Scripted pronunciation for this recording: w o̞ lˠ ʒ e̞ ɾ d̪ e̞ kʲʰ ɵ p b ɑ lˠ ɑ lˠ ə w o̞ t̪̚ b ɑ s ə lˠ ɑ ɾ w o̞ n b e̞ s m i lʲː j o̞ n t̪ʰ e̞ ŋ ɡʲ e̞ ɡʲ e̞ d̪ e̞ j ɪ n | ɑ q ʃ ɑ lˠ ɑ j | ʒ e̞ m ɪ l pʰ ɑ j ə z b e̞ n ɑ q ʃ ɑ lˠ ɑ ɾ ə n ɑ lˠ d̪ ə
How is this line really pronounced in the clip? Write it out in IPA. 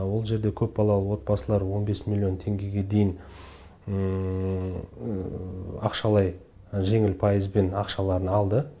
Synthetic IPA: w o̞ lˠ ʒ e̞ ɾ d̪ e̞ kʲʰ ɵ p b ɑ lˠ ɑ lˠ ə w o̞ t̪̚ b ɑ s ə lˠ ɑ ɾ w o̞ n b e̞ s m i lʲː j o̞ n t̪ʰ e̞ ŋ ɡʲ e̞ ɡʲ e̞ d̪ e̞ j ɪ n | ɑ q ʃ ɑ lˠ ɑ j | ʒ e̞ ŋ ɪ l pʰ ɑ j ə z b e̞ n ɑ q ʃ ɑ lˠ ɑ ɾ ə n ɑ lˠ d̪ ə